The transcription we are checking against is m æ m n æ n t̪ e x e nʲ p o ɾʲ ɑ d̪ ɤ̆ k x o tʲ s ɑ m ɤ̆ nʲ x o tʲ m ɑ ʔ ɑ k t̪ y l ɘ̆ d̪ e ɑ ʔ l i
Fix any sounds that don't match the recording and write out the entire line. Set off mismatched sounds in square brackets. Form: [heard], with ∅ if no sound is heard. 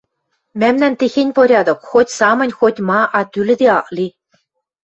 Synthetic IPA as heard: m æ m n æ n t̪ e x e nʲ p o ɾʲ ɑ d̪ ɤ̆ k x o tʲ s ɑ m ɤ̆ nʲ x o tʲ m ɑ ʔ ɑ [∅] t̪ y l ɘ̆ d̪ e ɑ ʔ l i